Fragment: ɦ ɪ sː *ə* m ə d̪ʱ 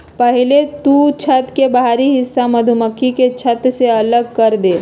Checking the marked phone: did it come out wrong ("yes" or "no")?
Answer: yes